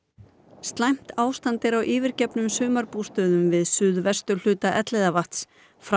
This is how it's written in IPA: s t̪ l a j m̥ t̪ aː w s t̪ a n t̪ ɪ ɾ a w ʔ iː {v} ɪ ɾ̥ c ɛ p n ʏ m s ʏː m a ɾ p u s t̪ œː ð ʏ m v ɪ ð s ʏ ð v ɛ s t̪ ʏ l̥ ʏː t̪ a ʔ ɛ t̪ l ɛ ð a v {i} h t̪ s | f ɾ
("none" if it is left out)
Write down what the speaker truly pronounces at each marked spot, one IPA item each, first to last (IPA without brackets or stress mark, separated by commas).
v, a